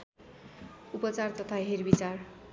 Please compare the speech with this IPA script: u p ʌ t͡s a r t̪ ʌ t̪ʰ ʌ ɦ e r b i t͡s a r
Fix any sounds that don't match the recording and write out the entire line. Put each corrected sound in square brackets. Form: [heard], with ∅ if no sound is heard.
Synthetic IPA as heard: u p ʌ t͡s a r t̪ ʌ t̪ʰ [a] ɦ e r b i t͡s a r